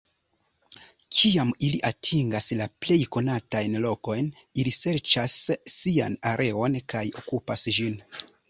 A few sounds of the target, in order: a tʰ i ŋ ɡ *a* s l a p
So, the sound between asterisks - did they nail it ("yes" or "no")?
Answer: yes